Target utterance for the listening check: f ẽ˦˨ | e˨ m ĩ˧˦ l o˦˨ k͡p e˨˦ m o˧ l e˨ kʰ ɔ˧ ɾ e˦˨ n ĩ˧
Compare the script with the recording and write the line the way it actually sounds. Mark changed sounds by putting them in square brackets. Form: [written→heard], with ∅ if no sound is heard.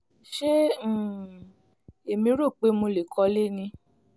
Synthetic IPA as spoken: [f→ʃ] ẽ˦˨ | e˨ m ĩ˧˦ [l→ɾ] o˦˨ k͡p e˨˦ m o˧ l e˨ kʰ ɔ˧ [ɾ→l] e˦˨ n ĩ˧